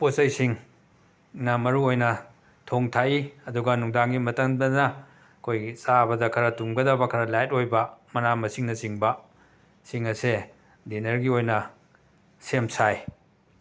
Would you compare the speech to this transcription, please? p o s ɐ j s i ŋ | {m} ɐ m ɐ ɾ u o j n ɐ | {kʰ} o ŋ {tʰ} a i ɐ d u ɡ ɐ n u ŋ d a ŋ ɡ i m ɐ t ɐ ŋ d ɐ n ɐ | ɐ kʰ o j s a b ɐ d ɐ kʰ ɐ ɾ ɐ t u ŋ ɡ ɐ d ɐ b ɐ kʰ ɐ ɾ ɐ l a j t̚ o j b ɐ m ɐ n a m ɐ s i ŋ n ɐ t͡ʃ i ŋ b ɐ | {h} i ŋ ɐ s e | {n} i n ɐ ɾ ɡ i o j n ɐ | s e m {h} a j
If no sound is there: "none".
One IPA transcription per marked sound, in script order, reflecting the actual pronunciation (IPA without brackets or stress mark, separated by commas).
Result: n, tʰ, tʰ, s, d, s